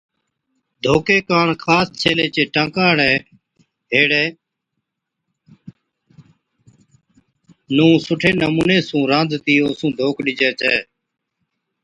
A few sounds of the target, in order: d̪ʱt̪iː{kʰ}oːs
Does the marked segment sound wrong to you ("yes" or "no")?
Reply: yes